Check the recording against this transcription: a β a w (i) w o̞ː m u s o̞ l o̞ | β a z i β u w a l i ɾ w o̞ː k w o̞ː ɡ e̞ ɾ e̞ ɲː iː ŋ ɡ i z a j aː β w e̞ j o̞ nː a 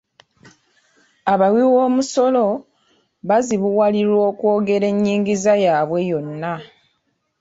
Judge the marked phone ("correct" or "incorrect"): correct